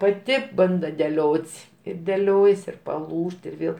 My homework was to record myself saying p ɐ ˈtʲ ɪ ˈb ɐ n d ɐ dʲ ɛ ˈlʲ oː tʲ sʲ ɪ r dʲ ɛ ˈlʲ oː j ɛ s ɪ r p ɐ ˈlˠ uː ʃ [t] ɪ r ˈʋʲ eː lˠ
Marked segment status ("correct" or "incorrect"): correct